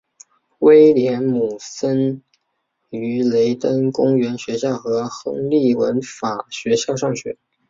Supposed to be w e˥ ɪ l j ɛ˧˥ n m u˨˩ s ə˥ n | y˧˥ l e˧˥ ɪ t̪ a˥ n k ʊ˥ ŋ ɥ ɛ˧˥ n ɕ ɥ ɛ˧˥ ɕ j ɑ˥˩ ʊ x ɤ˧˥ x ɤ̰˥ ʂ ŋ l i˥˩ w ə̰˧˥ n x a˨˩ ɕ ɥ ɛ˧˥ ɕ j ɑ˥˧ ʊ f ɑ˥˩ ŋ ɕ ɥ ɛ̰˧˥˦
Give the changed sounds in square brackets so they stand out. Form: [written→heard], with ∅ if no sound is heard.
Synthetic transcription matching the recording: w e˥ ɪ l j ɛ˧˥ n m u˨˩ s ə˥ n | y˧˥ l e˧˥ ɪ t̪ [a˥→ə˥] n k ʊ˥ ŋ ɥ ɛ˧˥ n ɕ ɥ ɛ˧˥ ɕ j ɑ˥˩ ʊ x ɤ˧˥ x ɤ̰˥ [ʂ→∅] ŋ l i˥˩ w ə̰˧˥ n [x→f] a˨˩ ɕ ɥ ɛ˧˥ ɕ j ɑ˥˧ ʊ [f→ʂ] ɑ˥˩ ŋ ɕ ɥ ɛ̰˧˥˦